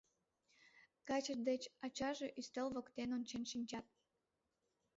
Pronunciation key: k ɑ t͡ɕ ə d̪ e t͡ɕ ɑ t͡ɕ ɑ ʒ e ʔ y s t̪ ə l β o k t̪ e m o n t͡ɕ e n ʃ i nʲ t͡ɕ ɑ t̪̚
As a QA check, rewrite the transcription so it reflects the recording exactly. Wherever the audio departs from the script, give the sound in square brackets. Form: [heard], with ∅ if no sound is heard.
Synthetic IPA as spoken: k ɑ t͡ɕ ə d̪ e t͡ɕ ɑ t͡ɕ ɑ ʒ e ʔ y s t̪ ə l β o k t̪ e [n] o n t͡ɕ e n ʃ i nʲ t͡ɕ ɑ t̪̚

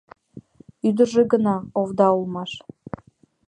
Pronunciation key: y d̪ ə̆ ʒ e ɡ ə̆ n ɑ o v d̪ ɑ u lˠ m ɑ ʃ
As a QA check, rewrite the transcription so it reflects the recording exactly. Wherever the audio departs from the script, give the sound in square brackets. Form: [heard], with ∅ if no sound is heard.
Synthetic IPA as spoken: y d̪ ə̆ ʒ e ɡ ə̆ n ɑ o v d̪ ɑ u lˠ m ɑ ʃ

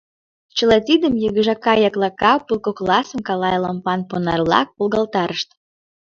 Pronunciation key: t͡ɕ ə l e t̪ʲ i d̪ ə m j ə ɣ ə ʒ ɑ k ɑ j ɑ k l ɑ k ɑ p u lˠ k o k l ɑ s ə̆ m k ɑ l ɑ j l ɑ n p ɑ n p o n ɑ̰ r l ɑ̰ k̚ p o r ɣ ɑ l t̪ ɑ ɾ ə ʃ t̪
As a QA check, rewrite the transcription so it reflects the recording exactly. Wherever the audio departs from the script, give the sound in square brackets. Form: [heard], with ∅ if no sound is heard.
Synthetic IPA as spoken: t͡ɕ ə l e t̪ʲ i d̪ ə m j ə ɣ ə ʒ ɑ k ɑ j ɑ k l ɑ k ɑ p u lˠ k o k l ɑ s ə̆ m k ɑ l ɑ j l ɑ [m] p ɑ n p o n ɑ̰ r l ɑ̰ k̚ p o [l] ɣ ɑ l t̪ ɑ ɾ ə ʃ t̪

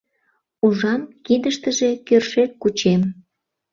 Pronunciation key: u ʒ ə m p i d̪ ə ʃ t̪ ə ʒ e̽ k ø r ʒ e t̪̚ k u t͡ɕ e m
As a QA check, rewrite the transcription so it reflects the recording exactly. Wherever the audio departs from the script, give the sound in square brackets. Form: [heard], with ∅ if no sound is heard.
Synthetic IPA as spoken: u ʒ [ɑ] m [k] i d̪ ə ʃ t̪ ə ʒ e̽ k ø r [ʃ] e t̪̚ k u t͡ɕ e m

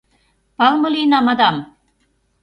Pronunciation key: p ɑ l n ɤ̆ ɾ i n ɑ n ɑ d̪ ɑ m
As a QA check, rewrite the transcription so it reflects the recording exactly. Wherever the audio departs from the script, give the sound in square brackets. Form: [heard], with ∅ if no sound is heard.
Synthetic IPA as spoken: p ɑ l [m] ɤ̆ [l] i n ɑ [m] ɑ d̪ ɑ m

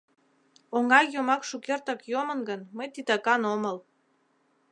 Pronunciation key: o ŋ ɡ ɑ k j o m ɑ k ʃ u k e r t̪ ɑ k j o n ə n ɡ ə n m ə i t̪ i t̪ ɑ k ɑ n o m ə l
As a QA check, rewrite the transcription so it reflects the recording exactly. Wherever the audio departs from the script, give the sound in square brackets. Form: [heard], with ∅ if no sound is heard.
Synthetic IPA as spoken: o ŋ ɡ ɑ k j o m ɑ k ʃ u k e r t̪ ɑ k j o [m] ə n ɡ ə n m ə [j] t̪ i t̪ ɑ k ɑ n o m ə l

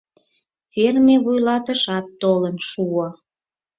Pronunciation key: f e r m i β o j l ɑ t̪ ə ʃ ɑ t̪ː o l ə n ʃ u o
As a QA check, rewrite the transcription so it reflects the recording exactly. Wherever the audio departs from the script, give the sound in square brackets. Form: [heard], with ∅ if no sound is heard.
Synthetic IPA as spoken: f e r m [e] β [u] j l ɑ t̪ ə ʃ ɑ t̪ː o l ə n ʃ u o

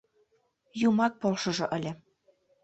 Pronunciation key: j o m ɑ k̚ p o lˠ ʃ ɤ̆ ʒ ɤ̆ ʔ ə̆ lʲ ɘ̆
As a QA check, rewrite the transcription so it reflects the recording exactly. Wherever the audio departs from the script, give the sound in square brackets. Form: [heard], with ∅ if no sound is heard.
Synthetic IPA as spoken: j [u] m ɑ k̚ p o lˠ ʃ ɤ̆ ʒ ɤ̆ ʔ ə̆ lʲ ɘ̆

